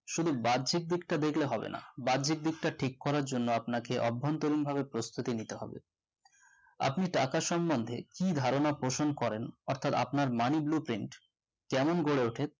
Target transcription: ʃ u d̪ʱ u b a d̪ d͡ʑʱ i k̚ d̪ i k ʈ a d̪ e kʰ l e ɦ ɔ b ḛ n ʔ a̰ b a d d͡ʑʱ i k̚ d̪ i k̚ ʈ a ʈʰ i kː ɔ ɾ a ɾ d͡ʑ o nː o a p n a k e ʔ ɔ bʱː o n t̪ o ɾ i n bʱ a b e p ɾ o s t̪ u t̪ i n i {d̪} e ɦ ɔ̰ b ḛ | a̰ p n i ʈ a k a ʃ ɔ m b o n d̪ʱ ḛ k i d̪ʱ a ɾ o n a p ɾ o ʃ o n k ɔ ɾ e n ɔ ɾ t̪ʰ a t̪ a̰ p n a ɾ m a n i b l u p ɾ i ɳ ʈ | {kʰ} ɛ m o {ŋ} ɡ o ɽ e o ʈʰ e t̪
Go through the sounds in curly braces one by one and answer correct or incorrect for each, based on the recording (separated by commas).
incorrect, incorrect, incorrect